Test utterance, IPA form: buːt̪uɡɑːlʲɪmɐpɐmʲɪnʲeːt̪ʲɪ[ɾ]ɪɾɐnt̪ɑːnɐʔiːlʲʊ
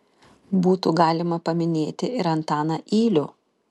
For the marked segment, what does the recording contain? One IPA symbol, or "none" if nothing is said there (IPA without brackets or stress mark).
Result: none